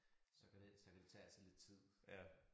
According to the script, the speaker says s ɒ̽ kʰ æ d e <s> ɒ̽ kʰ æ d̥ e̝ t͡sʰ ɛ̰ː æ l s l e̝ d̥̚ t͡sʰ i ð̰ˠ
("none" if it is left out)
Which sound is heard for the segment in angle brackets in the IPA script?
s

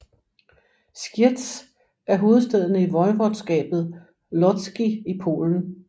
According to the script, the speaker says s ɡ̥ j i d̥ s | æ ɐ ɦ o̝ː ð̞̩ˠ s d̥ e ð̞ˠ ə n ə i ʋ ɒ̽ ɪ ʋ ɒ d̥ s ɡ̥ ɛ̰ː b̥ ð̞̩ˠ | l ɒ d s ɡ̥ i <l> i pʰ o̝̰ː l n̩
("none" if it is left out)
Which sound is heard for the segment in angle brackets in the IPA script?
none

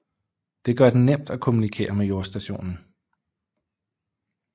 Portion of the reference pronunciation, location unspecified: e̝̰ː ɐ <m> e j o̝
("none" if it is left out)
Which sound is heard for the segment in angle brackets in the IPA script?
m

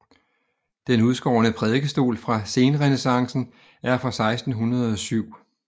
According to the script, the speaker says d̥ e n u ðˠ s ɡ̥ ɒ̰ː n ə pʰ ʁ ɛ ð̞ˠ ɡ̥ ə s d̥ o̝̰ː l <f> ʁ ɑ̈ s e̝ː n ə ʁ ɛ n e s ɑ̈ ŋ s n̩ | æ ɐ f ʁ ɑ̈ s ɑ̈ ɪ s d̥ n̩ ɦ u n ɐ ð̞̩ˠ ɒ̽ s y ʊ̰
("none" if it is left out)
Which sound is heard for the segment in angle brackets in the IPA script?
f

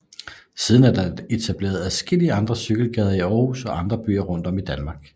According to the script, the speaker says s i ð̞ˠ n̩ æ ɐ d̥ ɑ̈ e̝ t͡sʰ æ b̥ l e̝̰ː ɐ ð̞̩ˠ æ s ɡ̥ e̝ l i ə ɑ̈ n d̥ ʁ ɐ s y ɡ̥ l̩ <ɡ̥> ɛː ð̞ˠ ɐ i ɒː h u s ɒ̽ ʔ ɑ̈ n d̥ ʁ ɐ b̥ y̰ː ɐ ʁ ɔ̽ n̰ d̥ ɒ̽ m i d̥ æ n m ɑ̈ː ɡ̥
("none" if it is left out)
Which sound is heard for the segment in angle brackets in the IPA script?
ɡ̥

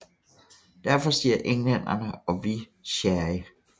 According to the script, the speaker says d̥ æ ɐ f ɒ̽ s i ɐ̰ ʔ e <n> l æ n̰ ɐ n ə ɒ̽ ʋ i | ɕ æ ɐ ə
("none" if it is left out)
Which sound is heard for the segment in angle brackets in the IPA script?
ŋ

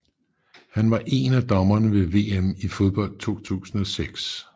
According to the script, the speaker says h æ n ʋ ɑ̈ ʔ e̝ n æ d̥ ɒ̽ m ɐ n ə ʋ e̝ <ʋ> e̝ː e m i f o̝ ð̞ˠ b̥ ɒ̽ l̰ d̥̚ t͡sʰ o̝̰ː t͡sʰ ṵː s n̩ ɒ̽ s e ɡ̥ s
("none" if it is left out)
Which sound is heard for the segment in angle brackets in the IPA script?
ʋ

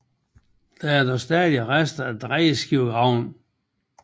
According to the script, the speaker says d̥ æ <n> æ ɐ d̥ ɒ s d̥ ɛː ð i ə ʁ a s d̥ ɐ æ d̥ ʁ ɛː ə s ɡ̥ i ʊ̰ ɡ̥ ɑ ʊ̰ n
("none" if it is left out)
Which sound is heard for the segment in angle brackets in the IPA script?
none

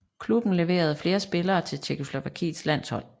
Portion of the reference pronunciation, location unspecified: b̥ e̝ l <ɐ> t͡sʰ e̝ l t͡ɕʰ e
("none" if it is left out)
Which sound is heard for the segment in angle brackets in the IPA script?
ɐː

